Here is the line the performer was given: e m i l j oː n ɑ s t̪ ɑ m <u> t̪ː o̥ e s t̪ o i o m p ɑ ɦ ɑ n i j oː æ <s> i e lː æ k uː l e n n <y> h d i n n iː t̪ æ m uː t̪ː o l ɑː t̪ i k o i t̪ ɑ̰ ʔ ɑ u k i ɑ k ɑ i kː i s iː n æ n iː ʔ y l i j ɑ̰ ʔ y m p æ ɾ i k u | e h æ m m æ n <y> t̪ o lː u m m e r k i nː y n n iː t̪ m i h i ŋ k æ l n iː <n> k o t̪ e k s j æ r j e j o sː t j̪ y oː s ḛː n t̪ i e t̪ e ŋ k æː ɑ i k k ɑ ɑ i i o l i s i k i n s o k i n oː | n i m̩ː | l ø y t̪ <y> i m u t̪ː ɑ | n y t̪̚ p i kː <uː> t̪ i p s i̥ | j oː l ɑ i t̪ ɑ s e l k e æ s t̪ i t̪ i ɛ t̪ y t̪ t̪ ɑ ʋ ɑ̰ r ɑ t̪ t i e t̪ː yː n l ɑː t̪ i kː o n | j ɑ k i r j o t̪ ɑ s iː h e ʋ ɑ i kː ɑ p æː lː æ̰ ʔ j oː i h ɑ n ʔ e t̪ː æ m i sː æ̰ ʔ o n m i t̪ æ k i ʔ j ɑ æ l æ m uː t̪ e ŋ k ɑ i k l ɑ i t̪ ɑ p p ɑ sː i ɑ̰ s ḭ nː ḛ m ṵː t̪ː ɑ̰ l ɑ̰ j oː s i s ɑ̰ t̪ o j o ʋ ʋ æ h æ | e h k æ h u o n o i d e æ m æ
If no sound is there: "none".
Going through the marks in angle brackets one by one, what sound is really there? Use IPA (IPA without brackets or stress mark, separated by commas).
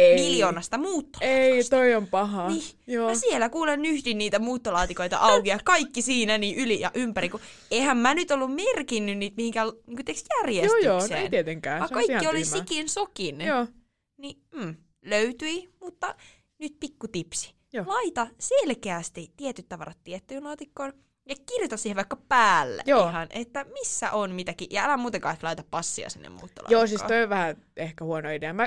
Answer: uː, s, y, y, ŋ, y, u